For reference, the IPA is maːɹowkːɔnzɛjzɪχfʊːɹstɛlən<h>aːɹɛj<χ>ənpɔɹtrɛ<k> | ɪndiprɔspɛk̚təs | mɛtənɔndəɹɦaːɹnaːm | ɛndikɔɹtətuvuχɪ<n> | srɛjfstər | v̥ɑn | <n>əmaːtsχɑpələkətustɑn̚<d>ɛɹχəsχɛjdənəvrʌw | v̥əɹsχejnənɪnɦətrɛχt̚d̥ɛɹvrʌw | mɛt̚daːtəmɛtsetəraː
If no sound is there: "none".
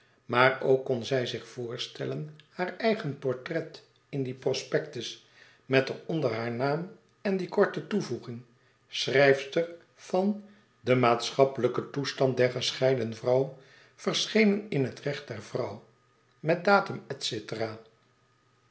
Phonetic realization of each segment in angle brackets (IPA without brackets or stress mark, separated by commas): h, χ, t, ŋ, d, d